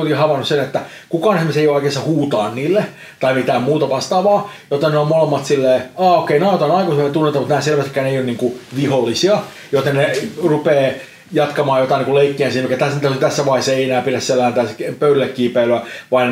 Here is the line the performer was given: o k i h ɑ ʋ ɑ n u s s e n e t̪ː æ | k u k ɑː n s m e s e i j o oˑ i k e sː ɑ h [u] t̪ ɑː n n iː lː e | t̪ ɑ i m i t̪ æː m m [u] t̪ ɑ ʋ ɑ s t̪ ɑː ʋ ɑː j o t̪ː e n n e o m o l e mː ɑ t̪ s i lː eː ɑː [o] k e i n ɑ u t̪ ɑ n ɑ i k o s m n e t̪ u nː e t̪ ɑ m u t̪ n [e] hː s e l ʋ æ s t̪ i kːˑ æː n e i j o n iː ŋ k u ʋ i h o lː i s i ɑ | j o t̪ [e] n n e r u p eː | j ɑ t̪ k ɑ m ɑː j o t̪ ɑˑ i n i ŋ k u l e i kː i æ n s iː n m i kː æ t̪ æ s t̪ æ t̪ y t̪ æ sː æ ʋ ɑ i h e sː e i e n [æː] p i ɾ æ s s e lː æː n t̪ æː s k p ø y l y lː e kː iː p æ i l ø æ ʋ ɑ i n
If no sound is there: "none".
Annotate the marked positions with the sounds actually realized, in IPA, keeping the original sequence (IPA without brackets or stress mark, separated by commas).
uː, uː, o, æ, e, æː